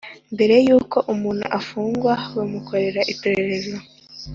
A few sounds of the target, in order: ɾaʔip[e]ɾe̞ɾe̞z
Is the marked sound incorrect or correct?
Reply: correct